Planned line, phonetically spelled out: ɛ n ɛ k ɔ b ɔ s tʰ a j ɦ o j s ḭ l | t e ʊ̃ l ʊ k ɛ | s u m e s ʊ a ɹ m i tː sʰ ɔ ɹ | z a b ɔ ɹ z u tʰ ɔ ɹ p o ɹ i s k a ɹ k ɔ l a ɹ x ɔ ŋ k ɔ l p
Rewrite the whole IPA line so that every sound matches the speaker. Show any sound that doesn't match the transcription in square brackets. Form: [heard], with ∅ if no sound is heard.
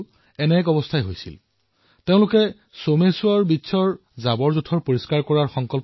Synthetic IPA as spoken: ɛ n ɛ k ɔ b ɔ s tʰ a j ɦ o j s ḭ l | t e ʊ̃ l ʊ k ɛ | s [o] m e s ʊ a ɹ [b] i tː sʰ ɔ ɹ | z a b ɔ ɹ z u tʰ ɔ ɹ p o ɹ i s k a ɹ k ɔ [ɹ] a ɹ x ɔ ŋ k ɔ l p